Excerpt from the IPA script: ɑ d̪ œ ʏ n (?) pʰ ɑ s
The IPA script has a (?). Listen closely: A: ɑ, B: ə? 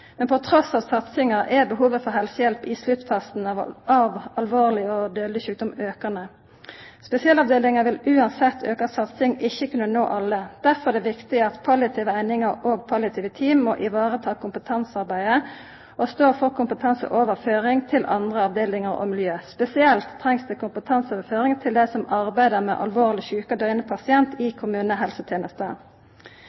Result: B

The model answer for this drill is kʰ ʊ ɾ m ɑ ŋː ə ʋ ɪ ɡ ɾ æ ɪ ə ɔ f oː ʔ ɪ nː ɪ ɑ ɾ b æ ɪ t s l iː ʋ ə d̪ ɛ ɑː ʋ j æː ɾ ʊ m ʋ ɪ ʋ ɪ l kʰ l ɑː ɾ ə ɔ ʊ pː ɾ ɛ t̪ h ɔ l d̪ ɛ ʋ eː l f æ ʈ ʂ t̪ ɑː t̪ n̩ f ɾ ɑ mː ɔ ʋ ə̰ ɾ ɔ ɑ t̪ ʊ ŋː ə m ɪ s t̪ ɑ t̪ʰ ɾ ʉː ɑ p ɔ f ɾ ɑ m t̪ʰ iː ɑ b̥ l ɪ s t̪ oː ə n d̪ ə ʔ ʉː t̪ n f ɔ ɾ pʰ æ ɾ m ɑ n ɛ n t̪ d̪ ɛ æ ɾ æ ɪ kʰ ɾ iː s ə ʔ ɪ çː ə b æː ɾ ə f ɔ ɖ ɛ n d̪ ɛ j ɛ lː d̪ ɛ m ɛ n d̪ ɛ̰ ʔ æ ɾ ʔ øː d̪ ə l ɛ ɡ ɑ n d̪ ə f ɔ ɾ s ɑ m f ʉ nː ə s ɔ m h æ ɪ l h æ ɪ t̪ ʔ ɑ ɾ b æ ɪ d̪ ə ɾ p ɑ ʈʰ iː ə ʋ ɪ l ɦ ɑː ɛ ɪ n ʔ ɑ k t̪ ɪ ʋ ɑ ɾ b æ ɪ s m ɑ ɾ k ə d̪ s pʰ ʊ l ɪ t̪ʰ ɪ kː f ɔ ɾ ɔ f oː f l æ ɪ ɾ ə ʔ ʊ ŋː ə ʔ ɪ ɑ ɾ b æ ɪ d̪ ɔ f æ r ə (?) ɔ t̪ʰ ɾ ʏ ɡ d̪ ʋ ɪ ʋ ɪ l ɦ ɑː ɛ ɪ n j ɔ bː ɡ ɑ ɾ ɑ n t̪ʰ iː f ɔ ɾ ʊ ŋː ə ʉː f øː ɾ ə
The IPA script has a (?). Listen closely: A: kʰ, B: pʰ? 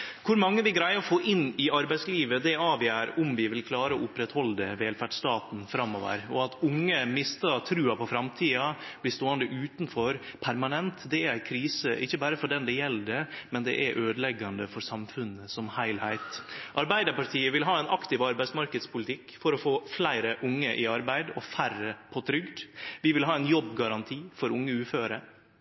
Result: B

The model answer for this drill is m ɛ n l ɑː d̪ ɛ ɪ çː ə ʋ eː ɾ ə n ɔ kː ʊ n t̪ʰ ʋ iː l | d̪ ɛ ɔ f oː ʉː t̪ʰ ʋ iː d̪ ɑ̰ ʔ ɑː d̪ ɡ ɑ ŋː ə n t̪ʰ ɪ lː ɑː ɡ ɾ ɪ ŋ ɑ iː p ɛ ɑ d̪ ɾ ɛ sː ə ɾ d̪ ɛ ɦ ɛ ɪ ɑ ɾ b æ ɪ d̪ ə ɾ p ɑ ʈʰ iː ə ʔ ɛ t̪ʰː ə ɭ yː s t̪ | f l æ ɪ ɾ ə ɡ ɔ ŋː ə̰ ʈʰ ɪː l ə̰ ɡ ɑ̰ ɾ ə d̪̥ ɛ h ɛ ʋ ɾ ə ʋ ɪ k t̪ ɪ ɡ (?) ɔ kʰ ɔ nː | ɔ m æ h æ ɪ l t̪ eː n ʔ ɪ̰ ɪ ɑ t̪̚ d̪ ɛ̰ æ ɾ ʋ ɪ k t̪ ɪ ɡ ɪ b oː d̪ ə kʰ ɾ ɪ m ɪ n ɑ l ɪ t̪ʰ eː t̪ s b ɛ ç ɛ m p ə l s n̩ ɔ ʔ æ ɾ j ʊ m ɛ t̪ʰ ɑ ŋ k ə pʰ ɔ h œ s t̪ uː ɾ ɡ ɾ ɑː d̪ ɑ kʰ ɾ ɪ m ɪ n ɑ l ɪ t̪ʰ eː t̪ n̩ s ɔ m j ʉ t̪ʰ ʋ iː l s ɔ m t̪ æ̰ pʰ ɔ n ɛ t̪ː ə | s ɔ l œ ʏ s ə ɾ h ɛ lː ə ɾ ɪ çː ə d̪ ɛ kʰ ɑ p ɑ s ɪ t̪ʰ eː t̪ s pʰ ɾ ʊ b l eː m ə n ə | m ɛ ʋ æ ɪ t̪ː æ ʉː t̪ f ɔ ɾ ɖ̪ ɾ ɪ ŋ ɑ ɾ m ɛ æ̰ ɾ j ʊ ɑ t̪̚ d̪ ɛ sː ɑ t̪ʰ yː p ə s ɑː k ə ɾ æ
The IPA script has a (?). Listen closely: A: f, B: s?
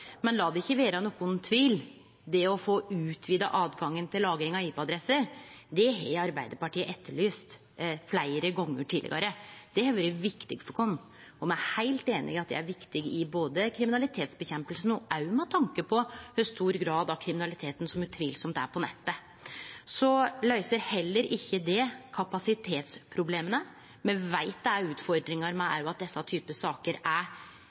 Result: A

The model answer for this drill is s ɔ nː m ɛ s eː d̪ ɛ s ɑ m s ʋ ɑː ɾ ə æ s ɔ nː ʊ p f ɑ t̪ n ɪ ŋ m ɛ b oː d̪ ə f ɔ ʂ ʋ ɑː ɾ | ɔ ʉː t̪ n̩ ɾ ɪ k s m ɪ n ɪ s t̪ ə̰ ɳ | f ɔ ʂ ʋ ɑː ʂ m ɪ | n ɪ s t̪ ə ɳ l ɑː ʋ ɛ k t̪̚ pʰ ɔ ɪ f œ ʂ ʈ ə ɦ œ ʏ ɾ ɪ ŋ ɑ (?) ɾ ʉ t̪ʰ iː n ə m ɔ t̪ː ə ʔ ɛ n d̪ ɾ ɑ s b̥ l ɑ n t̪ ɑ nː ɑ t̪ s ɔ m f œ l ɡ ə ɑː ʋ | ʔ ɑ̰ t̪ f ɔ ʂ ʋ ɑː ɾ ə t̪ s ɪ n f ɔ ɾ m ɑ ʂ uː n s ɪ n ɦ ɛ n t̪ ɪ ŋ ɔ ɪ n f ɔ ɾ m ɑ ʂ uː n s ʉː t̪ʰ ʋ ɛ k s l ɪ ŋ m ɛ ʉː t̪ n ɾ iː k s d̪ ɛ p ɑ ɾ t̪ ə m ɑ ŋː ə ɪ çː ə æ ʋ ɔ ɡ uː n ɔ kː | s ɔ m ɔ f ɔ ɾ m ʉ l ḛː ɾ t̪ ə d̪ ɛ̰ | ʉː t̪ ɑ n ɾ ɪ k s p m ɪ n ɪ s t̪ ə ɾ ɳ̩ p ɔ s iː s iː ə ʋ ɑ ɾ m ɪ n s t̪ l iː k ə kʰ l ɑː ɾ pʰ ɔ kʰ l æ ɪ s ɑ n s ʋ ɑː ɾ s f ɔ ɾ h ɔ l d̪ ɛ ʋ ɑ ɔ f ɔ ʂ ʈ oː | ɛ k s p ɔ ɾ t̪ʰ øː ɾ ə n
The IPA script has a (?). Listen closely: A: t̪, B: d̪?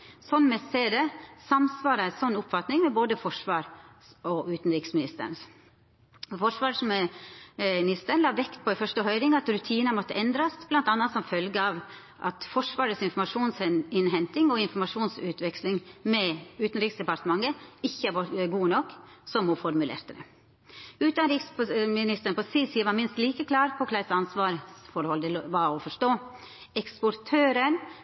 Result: A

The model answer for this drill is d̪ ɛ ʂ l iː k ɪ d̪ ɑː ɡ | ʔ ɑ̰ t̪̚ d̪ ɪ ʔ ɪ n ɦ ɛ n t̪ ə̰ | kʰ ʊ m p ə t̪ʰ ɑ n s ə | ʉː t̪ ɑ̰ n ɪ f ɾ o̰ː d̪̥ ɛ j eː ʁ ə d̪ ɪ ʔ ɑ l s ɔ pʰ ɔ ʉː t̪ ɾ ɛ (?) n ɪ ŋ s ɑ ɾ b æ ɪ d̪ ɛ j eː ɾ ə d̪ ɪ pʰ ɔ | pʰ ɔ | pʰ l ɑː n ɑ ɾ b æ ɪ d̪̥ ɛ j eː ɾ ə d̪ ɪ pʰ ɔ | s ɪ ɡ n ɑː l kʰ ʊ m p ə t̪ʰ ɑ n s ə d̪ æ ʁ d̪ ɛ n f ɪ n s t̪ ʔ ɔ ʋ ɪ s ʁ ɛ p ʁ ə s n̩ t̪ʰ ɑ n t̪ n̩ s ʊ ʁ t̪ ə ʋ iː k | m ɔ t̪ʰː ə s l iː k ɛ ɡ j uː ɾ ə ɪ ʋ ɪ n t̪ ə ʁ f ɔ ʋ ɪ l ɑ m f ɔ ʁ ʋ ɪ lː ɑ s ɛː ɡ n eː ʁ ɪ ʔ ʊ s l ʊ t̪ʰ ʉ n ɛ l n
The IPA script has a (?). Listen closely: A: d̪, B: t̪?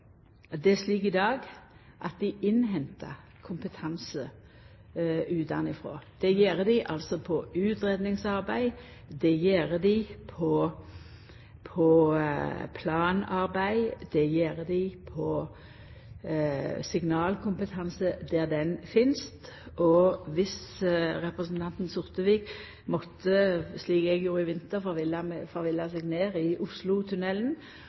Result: A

